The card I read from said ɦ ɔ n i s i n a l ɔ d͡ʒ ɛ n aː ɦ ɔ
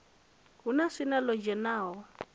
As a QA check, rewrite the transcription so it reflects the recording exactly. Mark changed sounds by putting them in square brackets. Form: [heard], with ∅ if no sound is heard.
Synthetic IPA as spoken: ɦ [u] n [a] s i n a l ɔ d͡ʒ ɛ n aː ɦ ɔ